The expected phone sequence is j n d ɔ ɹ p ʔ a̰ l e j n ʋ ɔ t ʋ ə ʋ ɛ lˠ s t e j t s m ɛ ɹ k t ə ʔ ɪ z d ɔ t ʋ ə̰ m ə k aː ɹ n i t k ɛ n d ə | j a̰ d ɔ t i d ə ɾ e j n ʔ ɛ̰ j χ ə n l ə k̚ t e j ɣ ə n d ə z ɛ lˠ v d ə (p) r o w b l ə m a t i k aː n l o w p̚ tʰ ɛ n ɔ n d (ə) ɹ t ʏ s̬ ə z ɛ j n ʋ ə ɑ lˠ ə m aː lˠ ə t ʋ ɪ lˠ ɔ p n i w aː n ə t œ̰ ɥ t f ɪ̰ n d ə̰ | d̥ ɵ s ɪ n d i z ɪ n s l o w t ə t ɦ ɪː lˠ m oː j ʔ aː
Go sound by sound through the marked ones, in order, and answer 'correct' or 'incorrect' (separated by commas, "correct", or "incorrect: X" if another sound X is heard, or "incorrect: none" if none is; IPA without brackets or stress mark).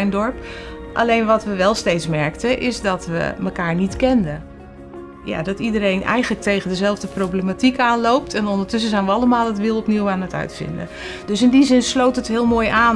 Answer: correct, correct